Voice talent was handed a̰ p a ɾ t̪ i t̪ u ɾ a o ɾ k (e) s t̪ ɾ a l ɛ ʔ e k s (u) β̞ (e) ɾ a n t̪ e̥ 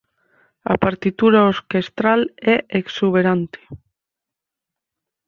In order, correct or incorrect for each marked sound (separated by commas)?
correct, correct, correct